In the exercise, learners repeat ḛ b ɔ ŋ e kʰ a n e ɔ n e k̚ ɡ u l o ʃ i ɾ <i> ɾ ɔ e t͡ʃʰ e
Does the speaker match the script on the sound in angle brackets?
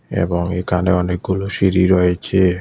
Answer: yes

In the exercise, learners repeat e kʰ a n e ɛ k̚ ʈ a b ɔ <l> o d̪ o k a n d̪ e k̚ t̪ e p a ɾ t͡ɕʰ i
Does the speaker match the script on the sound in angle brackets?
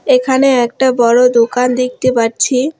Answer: no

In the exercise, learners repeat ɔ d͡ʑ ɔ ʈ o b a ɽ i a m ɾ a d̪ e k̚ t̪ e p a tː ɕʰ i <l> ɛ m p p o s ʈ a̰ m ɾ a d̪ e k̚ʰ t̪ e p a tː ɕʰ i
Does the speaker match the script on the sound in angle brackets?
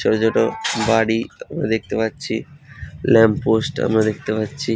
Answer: yes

